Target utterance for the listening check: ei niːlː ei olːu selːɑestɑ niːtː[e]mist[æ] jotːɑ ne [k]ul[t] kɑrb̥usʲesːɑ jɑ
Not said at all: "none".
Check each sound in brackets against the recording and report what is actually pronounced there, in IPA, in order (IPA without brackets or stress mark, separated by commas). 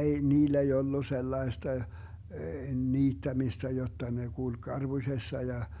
æ, æ, k, k